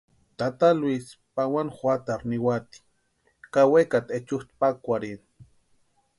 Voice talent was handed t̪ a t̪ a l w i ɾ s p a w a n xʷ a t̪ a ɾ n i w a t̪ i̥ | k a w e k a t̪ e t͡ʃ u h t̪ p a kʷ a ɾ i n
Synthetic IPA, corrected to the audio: t̪ a t̪ a l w i s p a w a n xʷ a t̪ a ɾ n i w a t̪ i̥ | k a w e k a t̪ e t͡ʃ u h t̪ p a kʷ a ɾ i n

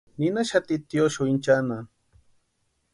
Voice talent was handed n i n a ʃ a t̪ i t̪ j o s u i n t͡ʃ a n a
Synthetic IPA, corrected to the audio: n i n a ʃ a t̪ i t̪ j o ʃ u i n t͡ʃ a n a

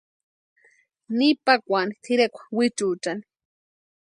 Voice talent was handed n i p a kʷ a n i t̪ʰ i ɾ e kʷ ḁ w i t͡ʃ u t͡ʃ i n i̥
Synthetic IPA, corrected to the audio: n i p a kʷ a n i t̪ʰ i ɾ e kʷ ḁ w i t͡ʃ u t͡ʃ a n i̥

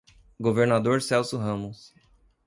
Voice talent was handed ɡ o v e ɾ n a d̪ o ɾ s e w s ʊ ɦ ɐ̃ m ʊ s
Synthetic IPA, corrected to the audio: ɡ o v e ɾ n a d̪ o ɾ s ɛ w s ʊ ɦ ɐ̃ m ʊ s

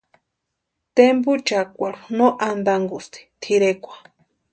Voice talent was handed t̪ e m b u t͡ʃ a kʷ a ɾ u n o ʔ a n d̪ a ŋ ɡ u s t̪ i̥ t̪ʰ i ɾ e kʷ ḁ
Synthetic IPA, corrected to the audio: t̪ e m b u t͡ʃ a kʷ a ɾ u n o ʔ a n d̪ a ŋ ɡ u s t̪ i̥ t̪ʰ i ɾ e kʷ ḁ

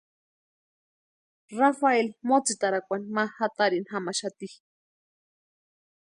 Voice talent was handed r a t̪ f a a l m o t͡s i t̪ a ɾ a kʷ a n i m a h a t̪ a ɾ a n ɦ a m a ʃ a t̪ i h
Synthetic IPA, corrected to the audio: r a f a e l m o t͡s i t̪ a ɾ a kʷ a n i m a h a t̪ a ɾ i n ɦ a m a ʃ a t̪ i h

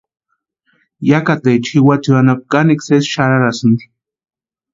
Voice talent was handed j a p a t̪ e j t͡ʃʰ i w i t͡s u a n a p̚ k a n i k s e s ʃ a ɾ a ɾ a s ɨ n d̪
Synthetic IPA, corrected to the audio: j a k a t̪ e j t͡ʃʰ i w a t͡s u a n a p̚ k a n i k s e s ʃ a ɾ a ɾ a s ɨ n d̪

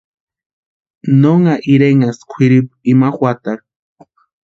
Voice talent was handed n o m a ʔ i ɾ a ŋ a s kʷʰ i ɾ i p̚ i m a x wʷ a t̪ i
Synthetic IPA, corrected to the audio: n o ŋ a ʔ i ɾ e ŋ a s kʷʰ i ɾ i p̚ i m a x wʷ a t̪ a

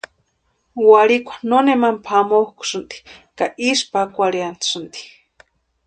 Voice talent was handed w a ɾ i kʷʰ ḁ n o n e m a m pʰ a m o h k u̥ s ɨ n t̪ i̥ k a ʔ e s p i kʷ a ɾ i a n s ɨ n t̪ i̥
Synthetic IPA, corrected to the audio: w a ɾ i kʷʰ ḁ n o n e m a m pʰ a m o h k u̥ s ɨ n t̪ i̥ k a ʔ i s p a kʷ a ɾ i a n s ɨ n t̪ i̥

